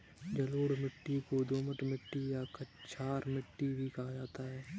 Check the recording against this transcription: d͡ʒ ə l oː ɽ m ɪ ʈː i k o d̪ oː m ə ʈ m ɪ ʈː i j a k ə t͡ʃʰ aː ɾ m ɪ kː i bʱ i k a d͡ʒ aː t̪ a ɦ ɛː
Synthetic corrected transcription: d͡ʒ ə l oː ɽ m ɪ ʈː i k o d̪ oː m ə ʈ m ɪ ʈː i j a k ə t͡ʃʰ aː ɾ m ɪ ʈː i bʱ i k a d͡ʒ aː t̪ a ɦ ɛː